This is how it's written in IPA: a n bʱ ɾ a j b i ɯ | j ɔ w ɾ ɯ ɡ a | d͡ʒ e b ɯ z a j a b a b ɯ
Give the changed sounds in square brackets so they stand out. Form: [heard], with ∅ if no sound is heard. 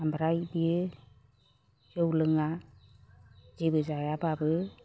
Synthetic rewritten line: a [m] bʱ ɾ a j b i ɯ | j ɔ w [l] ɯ [ŋ] a | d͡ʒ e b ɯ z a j a b a b ɯ

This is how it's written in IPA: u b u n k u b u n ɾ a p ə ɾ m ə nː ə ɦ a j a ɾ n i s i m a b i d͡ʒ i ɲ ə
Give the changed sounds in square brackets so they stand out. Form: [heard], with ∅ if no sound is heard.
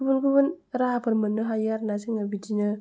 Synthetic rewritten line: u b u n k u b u n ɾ a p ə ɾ m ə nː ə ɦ a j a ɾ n [a] s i [ŋ] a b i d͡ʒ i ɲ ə

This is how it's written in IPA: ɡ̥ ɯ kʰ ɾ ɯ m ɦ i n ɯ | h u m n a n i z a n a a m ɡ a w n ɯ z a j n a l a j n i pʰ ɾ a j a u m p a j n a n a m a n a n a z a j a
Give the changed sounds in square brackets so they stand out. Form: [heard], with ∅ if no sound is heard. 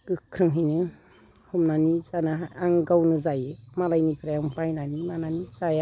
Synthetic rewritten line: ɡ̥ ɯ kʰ ɾ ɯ [ŋ] ɦ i n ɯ | h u m n a n i z a n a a [ŋ] ɡ a w n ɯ z a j [m] a l a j n i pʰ ɾ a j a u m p a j n a n [i] m a n a n [i] z a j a

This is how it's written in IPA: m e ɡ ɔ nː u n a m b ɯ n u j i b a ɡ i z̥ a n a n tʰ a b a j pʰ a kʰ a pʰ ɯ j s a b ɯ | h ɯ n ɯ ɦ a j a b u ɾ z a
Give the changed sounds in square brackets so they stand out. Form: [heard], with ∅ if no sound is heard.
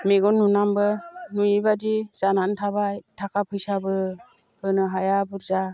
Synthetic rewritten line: m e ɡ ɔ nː u n a m b ɯ n u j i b a [d] i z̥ a n a n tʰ a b a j [tʰ] a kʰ a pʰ ɯ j s a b ɯ | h ɯ n ɯ ɦ a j a b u ɾ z a

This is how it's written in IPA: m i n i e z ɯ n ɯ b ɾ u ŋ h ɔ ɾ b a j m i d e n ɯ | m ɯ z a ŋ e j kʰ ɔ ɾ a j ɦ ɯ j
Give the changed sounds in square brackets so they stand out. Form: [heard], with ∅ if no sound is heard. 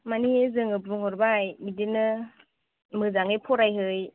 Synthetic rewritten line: m [a] n i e z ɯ [ŋ] ɯ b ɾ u ŋ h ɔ ɾ b a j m i d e n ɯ | m ɯ z a ŋ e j [pʰ] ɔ ɾ a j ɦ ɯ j

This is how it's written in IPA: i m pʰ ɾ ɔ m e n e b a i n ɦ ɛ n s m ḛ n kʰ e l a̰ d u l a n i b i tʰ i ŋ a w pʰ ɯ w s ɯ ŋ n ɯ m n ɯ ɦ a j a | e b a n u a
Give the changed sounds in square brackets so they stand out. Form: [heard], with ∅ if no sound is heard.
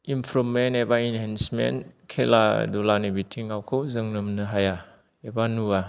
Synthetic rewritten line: i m pʰ ɾ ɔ m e n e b a i n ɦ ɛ n s m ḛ n kʰ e l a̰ d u l a n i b i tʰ i ŋ a w [kʰ] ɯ w [z] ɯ ŋ n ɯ m n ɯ ɦ a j a | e b a n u a

